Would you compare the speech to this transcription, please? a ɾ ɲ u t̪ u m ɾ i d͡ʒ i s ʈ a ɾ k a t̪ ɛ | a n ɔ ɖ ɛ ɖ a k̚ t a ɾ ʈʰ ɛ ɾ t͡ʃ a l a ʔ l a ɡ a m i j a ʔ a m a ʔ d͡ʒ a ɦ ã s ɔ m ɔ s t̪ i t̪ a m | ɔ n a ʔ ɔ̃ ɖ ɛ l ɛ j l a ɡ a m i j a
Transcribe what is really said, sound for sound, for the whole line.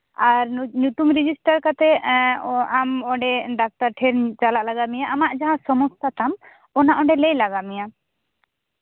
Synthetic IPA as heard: a ɾ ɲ u t̪ u m ɾ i d͡ʒ i s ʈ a ɾ k a t̪ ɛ | a m ɔ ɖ ɛ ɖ a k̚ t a ɾ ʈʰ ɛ ɾ t͡ʃ a l a ʔ l a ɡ a m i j a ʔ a m a ʔ d͡ʒ a ɦ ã s ɔ m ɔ s t̪ a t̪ a m | ɔ n a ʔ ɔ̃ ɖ ɛ l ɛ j l a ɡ a m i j a